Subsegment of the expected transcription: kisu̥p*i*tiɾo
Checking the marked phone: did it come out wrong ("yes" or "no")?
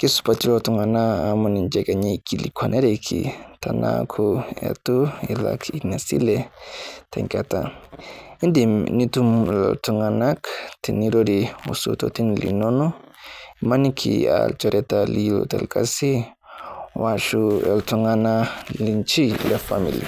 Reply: yes